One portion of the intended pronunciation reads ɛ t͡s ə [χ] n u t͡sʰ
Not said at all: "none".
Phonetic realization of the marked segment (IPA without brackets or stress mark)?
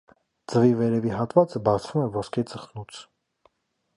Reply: χ